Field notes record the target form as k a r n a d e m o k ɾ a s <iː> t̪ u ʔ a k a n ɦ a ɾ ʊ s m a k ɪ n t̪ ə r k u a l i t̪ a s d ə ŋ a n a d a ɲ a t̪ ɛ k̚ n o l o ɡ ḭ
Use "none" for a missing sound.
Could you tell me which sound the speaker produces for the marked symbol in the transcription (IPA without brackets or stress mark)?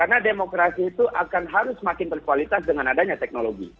iː